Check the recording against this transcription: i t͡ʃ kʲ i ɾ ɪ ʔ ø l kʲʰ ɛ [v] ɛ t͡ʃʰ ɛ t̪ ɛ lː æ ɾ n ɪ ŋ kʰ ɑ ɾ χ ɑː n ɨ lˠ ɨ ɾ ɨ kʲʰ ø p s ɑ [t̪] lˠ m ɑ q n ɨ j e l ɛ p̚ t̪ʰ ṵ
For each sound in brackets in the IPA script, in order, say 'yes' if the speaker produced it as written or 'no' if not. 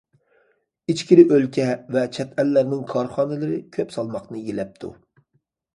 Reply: yes, no

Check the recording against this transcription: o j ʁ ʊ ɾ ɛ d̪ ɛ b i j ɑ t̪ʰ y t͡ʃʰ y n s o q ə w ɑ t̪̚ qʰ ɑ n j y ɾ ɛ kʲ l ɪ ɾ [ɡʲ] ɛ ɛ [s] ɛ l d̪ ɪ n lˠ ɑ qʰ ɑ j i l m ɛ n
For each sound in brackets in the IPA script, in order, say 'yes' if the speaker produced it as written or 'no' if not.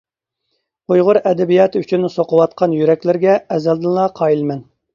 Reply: yes, no

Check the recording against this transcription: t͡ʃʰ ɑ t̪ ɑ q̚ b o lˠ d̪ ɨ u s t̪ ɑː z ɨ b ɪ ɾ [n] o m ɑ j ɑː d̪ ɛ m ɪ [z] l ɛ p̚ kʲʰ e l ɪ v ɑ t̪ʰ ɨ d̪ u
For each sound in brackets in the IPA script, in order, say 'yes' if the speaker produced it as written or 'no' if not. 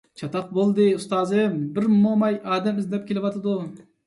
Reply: no, yes

